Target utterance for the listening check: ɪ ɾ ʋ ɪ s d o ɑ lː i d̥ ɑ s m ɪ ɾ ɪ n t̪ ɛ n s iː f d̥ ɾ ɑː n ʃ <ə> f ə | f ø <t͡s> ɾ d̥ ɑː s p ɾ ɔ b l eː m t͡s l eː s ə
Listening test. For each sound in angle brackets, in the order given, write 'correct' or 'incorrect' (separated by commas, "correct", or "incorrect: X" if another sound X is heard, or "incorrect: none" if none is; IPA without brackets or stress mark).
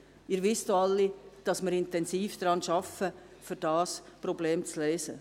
incorrect: ɑ, incorrect: none